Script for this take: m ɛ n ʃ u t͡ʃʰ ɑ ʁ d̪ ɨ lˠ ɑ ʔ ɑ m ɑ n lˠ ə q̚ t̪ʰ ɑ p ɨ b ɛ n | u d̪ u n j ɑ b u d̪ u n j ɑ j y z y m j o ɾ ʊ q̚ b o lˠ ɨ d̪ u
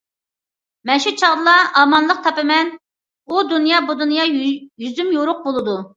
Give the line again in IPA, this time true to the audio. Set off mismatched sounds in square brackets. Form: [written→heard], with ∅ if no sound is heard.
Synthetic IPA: m ɛ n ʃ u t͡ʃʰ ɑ ʁ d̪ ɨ lˠ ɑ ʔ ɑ m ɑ n lˠ ə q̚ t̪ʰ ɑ p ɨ [b→m] ɛ n | u d̪ u n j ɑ b u d̪ u n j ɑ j y z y m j o ɾ ʊ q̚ b o lˠ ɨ d̪ u